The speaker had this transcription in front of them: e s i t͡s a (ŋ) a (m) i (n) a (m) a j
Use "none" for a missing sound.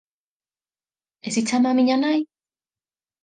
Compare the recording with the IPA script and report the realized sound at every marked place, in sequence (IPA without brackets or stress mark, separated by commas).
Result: m, m, ɲ, n